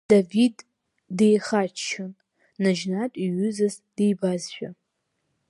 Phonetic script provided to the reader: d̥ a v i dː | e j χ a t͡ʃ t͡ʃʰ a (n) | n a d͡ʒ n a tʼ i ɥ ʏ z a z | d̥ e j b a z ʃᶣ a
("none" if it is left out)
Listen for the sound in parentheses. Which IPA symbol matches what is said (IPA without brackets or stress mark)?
n